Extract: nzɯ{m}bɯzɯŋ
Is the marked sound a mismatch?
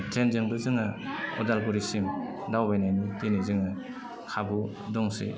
yes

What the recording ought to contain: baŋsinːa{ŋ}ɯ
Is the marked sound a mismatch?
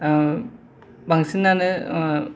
yes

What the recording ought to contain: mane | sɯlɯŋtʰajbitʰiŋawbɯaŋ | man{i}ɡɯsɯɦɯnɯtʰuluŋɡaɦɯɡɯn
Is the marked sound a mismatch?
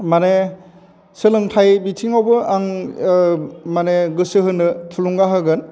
yes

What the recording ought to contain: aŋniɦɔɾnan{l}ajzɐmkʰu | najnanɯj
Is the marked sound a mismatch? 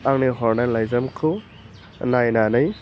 no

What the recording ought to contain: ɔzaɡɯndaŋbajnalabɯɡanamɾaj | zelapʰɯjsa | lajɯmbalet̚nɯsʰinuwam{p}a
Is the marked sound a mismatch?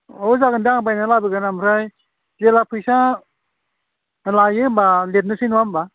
yes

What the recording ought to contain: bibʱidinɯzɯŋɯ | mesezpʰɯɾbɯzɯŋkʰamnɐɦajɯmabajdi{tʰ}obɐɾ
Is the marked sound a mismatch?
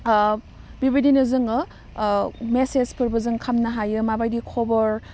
yes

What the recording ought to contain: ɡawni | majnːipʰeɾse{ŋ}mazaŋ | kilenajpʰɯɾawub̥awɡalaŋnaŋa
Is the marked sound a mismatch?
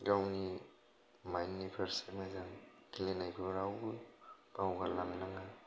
yes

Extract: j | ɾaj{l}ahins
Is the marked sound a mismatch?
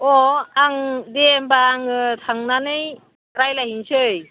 no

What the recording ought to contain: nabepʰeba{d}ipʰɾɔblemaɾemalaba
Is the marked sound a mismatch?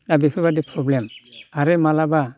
no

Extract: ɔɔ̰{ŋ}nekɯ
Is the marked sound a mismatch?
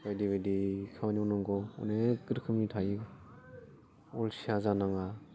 yes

